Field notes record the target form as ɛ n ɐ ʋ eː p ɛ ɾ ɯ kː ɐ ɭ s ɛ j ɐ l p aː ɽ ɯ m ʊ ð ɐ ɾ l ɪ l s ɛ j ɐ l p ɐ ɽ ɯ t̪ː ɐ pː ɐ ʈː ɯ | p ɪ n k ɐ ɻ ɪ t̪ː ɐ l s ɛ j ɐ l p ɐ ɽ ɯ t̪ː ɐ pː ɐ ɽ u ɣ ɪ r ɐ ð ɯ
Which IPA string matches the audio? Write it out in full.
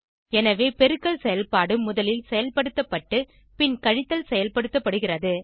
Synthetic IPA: ɛ n ɐ ʋ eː p ɛ ɾ ɯ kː ɐ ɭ s ɛ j ɐ l p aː ɽ ɯ m ʊ ð ɐ l ɪ l s ɛ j ɐ l p ɐ ɽ ɯ t̪ː ɐ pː ɐ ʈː ɯ | p ɪ n k ɐ ɻ ɪ t̪ː ɐ l s ɛ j ɐ l p ɐ ɽ ɯ t̪ː ɐ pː ɐ ɽ ɯ ɣ ɪ r ɐ ð ɯ